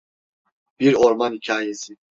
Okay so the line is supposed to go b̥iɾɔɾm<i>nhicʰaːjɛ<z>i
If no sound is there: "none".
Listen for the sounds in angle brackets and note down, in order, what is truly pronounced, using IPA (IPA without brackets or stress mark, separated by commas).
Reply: a, s